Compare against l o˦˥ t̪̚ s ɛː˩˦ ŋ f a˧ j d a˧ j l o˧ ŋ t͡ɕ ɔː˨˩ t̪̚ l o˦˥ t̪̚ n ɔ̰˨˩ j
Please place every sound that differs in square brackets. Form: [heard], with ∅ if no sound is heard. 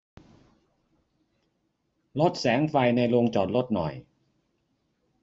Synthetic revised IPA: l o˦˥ t̪̚ s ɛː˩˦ ŋ f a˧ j [n] a˧ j l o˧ ŋ t͡ɕ ɔː˨˩ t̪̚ l o˦˥ t̪̚ n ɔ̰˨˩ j